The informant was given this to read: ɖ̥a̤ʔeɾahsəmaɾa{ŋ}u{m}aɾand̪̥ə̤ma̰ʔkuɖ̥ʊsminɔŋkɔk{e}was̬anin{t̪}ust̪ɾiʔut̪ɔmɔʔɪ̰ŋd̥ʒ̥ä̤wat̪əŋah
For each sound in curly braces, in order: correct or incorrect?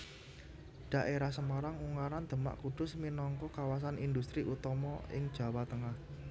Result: correct, incorrect: ŋ, incorrect: a, incorrect: d̪

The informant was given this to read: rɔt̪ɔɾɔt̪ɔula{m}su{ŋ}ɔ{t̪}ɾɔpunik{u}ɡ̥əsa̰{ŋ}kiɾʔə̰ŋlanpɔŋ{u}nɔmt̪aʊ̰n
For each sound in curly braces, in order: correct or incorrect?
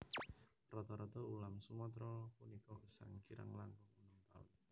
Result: correct, incorrect: m, correct, incorrect: ɔ, correct, correct

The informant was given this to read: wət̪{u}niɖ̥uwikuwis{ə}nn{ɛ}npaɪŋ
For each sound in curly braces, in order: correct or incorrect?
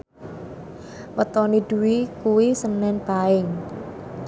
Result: incorrect: ɔ, correct, correct

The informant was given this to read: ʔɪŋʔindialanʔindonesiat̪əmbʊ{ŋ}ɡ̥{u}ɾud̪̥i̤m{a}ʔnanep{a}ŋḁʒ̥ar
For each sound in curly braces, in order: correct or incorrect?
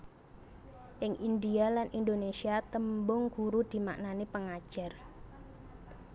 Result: correct, correct, correct, incorrect: ə

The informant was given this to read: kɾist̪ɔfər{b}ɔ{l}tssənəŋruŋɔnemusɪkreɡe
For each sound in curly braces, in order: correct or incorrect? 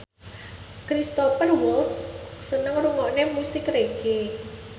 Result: incorrect: w, correct

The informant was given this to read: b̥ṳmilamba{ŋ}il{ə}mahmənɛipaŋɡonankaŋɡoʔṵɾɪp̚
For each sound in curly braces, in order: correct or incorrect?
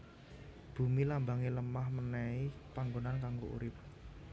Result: correct, correct

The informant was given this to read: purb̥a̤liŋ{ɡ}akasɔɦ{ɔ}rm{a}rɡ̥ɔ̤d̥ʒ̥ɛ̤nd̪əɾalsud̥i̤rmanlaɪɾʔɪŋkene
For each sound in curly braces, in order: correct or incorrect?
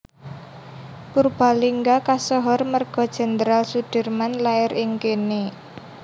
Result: correct, correct, incorrect: ə

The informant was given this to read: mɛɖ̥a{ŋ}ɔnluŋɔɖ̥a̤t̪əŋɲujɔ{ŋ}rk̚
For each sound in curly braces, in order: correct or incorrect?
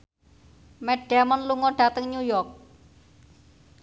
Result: incorrect: m, incorrect: none

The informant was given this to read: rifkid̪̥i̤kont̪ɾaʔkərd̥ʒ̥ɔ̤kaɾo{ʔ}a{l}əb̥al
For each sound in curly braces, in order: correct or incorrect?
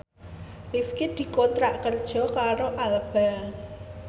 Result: correct, correct

